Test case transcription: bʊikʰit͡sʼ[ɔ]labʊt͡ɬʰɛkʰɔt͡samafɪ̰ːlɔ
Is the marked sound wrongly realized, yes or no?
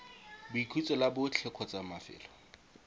no